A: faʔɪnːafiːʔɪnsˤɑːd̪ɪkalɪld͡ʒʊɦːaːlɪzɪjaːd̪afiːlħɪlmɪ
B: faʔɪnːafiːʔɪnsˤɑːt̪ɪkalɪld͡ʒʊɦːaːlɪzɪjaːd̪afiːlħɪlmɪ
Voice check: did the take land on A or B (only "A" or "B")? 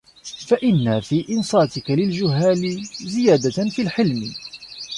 B